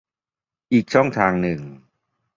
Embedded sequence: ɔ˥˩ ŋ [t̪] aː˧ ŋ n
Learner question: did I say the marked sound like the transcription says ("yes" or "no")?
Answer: no